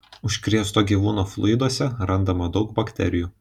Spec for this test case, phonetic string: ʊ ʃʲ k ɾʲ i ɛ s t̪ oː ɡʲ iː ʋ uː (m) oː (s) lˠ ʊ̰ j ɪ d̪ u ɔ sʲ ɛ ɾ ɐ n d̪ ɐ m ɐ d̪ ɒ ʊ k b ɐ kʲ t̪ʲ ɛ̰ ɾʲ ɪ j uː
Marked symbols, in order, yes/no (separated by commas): no, no